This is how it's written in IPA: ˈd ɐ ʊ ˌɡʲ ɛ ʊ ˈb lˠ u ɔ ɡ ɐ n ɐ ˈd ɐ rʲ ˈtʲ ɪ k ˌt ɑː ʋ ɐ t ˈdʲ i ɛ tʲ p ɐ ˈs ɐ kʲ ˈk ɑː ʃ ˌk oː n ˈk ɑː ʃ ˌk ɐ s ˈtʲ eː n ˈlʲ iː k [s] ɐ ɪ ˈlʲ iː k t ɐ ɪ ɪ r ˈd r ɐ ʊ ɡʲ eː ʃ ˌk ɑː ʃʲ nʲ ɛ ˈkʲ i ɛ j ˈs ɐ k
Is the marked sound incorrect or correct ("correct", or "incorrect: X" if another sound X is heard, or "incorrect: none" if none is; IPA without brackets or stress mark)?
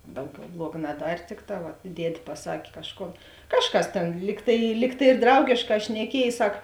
incorrect: t